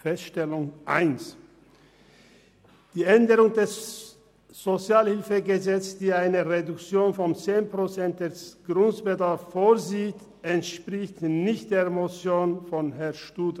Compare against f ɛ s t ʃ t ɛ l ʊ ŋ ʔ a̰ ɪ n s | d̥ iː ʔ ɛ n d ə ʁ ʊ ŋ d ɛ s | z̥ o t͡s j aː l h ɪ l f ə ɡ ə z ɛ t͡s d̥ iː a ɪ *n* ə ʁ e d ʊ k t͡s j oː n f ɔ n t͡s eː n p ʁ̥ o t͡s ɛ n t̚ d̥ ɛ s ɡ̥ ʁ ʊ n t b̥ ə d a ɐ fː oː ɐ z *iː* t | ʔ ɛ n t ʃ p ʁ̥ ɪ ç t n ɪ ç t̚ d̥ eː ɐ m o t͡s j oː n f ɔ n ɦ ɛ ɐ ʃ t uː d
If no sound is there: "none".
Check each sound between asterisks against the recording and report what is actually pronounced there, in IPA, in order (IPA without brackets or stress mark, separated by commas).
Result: n, iː